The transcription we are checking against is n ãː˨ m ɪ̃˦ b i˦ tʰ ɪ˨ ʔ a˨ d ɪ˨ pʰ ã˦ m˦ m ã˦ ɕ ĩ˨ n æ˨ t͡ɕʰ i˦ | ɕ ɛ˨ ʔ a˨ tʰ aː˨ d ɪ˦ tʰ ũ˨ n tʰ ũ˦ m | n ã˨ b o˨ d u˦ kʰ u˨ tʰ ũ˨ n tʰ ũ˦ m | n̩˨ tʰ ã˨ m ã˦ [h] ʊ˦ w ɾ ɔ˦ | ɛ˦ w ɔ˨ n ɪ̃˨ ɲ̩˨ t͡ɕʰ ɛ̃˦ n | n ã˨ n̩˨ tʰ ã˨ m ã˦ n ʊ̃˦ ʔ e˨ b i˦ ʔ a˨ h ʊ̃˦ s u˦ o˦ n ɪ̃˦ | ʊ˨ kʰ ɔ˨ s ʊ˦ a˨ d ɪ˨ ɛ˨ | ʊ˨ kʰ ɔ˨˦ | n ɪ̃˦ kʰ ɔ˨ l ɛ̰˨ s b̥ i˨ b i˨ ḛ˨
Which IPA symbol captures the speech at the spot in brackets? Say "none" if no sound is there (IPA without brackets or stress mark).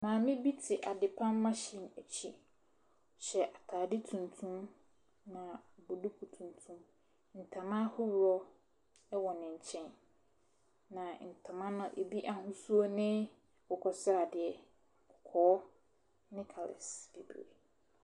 h